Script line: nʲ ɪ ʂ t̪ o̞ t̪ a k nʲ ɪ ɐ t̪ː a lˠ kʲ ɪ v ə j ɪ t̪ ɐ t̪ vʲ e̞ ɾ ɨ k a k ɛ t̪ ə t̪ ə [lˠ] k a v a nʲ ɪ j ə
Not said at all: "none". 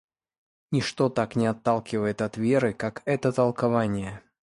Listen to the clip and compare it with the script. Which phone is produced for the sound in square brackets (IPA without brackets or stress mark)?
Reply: lˠ